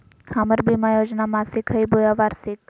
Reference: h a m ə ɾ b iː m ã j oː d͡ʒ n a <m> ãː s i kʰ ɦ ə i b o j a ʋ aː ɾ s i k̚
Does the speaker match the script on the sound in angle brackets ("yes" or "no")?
yes